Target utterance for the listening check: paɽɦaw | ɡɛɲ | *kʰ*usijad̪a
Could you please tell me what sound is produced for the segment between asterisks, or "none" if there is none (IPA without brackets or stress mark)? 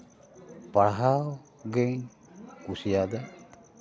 k